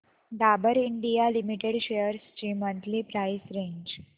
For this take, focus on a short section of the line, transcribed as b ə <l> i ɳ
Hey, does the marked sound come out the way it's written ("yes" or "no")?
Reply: no